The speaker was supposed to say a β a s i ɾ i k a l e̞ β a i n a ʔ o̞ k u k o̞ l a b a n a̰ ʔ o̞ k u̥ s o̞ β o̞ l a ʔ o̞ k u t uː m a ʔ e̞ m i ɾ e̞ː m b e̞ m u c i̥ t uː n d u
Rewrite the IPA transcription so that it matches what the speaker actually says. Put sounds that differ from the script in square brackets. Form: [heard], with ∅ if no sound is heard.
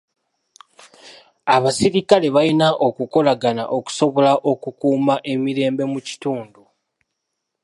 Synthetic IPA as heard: a β a s i ɾ i k a l e̞ β a i n a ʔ o̞ k u k o̞ l a [ɡ] a n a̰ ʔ o̞ k u̥ s o̞ β o̞ l a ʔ o̞ k u [k] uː m a ʔ e̞ m i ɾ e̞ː m b e̞ m u c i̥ t uː n d u